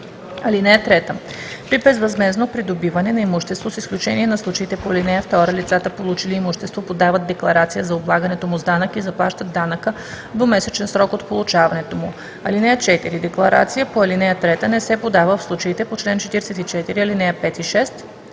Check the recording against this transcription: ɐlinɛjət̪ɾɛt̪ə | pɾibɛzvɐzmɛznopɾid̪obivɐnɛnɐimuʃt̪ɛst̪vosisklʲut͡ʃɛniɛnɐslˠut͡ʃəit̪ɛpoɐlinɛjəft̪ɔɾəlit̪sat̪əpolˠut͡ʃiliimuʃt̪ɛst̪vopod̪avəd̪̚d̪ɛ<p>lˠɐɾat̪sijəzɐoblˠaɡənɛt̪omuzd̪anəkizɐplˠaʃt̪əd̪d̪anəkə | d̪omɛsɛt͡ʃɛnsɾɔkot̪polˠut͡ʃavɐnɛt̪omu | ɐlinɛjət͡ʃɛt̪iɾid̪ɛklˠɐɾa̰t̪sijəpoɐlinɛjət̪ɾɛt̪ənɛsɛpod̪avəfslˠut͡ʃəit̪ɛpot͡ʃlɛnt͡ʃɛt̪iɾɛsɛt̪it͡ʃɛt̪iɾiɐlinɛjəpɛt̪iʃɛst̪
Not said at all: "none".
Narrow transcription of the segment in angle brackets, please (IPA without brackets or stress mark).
k